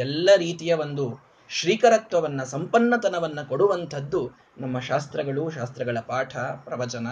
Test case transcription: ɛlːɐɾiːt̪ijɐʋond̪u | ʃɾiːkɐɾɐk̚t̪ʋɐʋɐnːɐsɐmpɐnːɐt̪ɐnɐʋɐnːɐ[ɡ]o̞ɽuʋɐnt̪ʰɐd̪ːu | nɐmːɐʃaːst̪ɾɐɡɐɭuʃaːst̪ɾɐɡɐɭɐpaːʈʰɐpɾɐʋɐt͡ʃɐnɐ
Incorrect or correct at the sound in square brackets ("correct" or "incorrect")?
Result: incorrect